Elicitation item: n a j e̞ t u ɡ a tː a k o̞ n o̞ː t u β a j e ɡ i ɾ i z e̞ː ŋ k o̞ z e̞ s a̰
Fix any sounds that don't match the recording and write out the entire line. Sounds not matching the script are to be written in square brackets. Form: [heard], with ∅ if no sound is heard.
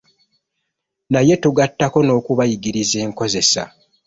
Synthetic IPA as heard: n a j e̞ t u ɡ a tː a k o̞ n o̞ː [k] u β a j [i] ɡ i ɾ i z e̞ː ŋ k o̞ z e̞ s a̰